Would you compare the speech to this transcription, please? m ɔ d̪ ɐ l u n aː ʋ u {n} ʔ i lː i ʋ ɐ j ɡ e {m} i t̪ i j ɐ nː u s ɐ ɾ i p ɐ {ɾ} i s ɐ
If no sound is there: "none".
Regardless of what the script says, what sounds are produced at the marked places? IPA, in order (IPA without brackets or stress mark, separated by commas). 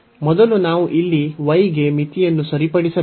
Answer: none, m, ɽ